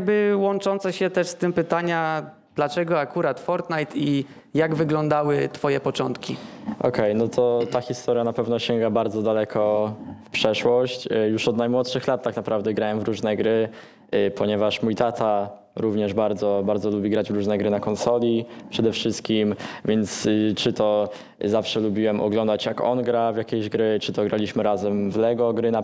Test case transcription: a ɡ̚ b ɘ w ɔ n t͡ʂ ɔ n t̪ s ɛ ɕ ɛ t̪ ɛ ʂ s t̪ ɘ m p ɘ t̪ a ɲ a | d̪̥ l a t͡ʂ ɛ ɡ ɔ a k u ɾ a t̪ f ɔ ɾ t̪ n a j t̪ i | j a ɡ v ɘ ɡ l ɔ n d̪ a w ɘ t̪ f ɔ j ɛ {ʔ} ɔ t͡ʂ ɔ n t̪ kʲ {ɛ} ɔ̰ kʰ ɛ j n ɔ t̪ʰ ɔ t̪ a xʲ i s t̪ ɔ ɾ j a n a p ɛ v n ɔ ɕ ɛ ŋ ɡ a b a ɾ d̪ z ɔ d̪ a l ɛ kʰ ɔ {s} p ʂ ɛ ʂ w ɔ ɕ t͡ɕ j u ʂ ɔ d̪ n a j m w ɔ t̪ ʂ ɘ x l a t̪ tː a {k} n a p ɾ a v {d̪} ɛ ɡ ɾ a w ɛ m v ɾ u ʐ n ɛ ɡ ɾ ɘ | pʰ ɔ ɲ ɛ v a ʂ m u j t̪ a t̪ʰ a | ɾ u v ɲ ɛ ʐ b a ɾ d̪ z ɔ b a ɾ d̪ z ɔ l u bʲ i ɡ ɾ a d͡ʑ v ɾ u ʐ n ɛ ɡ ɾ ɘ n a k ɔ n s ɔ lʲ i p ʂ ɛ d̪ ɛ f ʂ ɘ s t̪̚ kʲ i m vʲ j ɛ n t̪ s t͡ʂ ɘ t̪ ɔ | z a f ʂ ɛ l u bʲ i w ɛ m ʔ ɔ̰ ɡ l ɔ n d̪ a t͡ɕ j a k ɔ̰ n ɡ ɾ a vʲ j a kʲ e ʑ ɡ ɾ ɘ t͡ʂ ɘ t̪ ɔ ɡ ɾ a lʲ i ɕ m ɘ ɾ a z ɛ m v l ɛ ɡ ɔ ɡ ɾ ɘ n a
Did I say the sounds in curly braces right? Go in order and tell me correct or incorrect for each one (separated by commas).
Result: incorrect, incorrect, incorrect, correct, correct